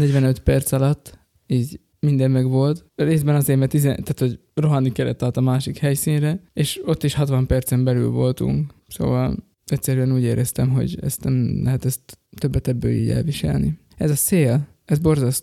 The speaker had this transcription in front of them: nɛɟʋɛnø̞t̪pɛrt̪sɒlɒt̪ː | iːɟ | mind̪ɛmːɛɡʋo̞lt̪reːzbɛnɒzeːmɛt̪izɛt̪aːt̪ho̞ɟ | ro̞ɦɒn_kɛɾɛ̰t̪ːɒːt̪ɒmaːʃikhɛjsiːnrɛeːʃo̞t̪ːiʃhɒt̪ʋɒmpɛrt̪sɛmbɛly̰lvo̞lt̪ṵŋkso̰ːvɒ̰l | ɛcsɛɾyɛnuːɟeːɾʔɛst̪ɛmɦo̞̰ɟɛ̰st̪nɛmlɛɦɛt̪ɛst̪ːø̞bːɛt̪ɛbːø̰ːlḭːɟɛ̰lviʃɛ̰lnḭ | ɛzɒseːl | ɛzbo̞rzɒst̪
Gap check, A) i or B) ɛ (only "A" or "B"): A